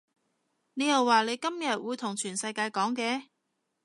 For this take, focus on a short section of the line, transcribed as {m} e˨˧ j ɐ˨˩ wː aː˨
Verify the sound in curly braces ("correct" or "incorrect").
incorrect